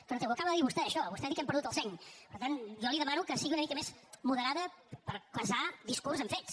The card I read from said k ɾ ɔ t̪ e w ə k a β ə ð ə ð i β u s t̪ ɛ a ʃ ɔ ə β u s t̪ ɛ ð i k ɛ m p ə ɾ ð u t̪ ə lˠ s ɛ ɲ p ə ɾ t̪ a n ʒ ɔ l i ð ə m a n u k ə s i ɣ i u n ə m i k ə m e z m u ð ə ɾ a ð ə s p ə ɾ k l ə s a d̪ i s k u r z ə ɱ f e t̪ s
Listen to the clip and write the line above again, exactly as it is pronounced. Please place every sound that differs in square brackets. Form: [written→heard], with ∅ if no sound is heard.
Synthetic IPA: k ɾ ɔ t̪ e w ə k a β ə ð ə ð i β u s t̪ ɛ [a→ə] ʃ ɔ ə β u s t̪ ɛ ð i k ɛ m p ə ɾ ð u t̪ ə lˠ s ɛ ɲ p ə ɾ t̪ a n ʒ ɔ l i ð ə m a n u k ə s i ɣ i u n ə m i k ə m e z m u ð ə ɾ a ð ə [s→∅] p ə ɾ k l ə s a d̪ i s k u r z ə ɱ f e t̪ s